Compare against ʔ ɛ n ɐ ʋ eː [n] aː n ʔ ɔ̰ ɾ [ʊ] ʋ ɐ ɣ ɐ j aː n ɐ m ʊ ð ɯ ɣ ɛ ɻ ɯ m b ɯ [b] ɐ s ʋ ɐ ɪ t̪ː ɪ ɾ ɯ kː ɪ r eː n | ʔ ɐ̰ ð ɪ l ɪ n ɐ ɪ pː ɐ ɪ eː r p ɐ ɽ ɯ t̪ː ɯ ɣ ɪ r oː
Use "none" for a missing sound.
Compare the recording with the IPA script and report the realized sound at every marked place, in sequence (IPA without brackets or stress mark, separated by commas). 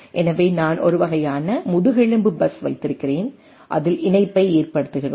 n, ɯ, b